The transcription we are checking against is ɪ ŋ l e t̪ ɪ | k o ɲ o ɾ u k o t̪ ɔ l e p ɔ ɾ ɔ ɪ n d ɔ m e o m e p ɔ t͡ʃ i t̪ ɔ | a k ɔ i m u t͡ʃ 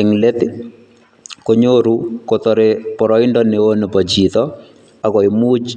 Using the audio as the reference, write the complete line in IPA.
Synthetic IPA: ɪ ŋ l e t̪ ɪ | k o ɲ o ɾ u k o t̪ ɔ ɾ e p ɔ ɾ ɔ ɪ n d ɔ n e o n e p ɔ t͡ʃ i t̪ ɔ | a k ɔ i m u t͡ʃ